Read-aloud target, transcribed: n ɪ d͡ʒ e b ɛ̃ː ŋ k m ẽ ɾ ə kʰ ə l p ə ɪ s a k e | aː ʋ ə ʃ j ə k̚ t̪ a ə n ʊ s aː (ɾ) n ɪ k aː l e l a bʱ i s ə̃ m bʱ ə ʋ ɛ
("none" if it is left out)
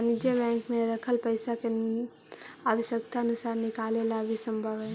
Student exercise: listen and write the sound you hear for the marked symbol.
ɾ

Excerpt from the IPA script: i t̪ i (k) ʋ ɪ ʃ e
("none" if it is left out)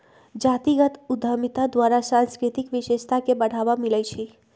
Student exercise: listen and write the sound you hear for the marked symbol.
k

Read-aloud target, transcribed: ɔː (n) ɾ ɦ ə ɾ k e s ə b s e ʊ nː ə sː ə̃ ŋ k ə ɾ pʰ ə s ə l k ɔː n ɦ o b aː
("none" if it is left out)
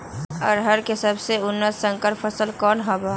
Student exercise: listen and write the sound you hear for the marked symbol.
none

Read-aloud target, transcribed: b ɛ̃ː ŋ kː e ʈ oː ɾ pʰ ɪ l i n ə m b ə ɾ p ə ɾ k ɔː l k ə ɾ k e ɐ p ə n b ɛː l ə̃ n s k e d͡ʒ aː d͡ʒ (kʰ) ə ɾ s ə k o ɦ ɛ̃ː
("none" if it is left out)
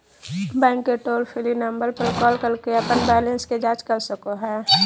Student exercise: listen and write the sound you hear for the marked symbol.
k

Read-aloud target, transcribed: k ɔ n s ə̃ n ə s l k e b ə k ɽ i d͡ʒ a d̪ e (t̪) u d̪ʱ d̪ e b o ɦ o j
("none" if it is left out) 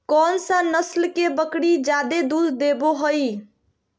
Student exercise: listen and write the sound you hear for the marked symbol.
d̪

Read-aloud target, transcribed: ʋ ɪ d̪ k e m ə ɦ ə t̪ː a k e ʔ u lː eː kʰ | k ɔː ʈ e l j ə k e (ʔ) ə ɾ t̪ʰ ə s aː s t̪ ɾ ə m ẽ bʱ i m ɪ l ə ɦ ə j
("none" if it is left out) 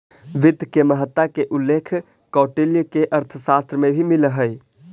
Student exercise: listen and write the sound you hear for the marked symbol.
ʔ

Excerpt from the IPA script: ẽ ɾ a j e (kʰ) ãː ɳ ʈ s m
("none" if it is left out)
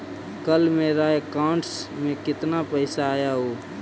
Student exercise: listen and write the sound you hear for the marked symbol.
k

